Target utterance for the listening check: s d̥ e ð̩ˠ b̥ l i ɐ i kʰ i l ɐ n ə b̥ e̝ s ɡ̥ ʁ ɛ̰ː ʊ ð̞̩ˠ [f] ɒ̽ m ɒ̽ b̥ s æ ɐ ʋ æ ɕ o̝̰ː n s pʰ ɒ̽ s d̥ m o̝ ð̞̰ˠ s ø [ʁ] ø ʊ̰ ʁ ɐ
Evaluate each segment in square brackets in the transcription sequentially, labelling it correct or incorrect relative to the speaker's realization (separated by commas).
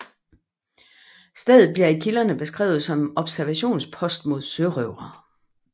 incorrect, correct